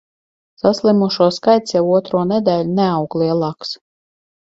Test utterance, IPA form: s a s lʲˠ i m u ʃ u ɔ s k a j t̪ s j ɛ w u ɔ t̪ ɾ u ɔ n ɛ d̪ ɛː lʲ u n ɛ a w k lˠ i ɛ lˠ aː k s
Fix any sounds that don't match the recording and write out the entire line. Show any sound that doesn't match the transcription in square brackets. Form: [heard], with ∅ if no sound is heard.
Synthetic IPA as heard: s a s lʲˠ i m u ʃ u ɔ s k a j t̪ s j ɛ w u ɔ t̪ ɾ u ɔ n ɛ d̪ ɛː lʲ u n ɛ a w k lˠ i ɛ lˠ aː k s